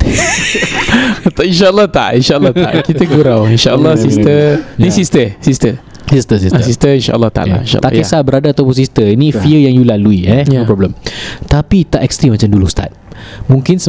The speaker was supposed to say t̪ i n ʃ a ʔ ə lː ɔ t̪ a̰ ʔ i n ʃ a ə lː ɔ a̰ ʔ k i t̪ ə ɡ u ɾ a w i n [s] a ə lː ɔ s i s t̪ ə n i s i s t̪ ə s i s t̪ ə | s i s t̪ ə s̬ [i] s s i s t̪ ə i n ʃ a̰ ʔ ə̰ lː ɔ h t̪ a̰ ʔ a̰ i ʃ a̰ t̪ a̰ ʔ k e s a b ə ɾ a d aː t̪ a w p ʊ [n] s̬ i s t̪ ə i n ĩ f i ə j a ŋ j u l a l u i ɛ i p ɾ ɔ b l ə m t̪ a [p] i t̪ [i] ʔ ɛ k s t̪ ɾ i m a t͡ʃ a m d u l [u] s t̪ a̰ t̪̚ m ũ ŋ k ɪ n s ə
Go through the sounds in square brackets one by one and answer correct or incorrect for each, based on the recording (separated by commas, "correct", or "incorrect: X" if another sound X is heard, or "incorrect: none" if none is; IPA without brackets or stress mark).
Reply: incorrect: ʃ, correct, correct, correct, incorrect: a, correct